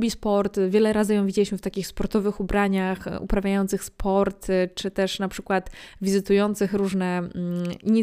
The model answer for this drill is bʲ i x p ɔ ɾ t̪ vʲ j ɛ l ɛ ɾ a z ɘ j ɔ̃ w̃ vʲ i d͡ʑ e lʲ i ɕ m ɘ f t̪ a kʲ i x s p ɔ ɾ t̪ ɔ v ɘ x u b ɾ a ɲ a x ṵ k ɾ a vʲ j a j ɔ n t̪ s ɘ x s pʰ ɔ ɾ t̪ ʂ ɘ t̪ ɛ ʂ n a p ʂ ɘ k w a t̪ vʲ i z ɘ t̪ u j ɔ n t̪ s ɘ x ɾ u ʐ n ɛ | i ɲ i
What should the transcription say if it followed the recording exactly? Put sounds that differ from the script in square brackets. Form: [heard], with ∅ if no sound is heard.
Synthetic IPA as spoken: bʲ i [s] p ɔ ɾ t̪ vʲ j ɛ l ɛ ɾ a z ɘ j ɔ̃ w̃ vʲ i d͡ʑ e lʲ i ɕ m ɘ f t̪ a kʲ i x s p ɔ ɾ t̪ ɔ v ɘ x u b ɾ a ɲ a x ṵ [p] ɾ a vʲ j a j ɔ n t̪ s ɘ x s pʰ ɔ ɾ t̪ [t͡ʂ] ɘ t̪ ɛ ʂ n a p ʂ ɘ k w a t̪ vʲ i z ɘ t̪ u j ɔ n t̪ s ɘ x ɾ u ʐ n ɛ | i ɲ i